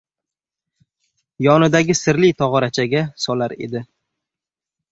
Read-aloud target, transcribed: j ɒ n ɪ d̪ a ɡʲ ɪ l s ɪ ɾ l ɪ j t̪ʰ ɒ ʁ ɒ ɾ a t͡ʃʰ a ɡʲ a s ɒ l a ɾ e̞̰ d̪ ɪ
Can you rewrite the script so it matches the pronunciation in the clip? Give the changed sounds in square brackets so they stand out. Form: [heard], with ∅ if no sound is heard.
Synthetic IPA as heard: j ɒ n ɪ d̪ a ɡʲ ɪ [∅] s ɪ ɾ l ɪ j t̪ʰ ɒ ʁ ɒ ɾ a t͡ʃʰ a ɡʲ a s ɒ l a ɾ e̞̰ d̪ ɪ

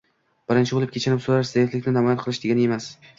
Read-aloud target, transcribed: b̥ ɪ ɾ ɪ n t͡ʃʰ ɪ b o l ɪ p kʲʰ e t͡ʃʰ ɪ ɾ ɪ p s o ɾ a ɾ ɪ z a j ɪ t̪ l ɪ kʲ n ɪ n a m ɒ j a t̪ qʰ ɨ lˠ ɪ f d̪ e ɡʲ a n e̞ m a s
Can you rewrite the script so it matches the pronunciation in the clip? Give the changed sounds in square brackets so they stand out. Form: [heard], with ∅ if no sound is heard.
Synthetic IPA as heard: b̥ ɪ ɾ ɪ n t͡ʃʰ ɪ b o l ɪ p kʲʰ e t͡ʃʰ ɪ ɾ ɪ p s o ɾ a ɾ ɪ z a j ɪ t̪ l ɪ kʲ n ɪ n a m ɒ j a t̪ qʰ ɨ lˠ ɪ [ʃ] d̪ e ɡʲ a n e̞ m a s

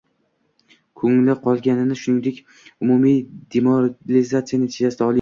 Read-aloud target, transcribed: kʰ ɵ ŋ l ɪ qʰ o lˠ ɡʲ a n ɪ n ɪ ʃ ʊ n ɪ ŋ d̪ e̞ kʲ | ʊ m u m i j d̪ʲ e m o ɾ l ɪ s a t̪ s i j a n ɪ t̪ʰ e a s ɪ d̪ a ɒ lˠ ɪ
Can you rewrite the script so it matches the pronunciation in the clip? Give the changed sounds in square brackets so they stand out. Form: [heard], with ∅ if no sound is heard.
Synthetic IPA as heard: kʰ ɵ ŋ l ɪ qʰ [ɒ] lˠ ɡʲ a n ɪ n ɪ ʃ ʊ n ɪ ŋ d̪ e̞ kʲ | ʊ m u m i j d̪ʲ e m o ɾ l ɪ [z] a t̪ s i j a n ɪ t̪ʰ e a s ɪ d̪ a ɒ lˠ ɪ

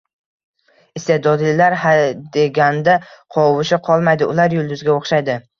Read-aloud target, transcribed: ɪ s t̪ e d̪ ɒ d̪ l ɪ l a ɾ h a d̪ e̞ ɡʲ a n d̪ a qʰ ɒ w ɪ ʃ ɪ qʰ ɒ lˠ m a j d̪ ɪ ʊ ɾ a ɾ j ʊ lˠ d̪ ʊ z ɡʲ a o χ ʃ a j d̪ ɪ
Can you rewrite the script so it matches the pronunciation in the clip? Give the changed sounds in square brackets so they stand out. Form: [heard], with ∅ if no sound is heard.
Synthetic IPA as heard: ɪ s t̪ e d̪ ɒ d̪ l ɪ l a ɾ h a d̪ e̞ ɡʲ a n d̪ a qʰ ɒ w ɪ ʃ ɪ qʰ ɒ lˠ m a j d̪ ɪ ʊ [l] a ɾ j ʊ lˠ d̪ ʊ z ɡʲ a o χ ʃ a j d̪ ɪ

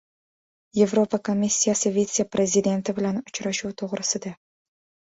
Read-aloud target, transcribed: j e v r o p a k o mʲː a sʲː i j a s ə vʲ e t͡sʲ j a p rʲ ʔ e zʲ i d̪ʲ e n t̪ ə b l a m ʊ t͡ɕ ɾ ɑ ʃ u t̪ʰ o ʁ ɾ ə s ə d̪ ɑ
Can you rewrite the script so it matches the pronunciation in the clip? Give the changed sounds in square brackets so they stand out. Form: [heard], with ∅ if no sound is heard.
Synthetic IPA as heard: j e v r o p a k o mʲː [i] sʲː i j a s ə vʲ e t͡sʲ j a p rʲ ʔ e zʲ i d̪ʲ e n t̪ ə b l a [n] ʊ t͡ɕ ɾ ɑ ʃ u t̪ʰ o ʁ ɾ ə s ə d̪ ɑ

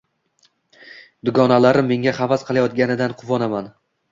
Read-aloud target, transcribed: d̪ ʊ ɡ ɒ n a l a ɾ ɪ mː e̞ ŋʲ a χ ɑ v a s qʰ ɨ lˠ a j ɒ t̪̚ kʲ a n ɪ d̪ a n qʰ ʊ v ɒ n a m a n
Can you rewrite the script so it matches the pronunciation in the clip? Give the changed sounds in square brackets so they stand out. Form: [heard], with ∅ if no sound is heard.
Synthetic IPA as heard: d̪ ʊ ɡ ɒ n a l a ɾ ɪ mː e̞ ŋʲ a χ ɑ v a s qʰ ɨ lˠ a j ɒ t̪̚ [ɡʲ] a n ɪ d̪ a n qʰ ʊ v ɒ n a m a n

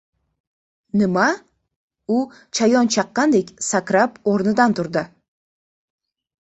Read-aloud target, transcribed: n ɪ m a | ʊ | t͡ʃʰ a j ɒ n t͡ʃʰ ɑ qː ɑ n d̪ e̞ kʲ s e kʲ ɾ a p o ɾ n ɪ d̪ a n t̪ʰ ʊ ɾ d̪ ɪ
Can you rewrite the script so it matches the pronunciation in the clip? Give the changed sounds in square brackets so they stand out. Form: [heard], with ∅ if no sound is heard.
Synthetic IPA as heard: n ɪ m a | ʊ | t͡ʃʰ a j ɒ n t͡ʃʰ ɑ qː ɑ n d̪ e̞ kʲ s [a] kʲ ɾ a p o ɾ n ɪ d̪ a n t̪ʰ ʊ ɾ d̪ ɪ

